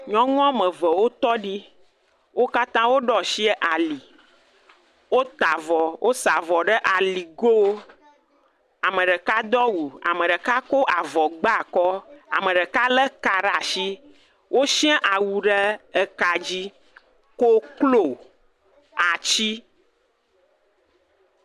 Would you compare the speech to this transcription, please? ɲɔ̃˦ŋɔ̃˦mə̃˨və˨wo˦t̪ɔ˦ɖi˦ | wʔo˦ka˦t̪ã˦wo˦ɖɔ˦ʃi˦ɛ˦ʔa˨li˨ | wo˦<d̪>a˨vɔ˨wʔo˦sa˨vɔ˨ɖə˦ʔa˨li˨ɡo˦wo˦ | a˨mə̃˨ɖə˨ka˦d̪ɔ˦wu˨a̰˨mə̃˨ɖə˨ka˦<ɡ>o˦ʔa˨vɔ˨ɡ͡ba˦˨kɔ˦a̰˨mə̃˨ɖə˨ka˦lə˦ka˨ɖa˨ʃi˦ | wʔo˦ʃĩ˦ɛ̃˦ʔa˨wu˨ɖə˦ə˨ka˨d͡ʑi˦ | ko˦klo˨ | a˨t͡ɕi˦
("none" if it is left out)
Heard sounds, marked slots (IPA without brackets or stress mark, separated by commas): t̪, k